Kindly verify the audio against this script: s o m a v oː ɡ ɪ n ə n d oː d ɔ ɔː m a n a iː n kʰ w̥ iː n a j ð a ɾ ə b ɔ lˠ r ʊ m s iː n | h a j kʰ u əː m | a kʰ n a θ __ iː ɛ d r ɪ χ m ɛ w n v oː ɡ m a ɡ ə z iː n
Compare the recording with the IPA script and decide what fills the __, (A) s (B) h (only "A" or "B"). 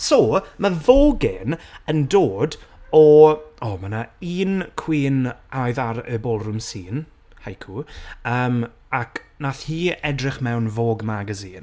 B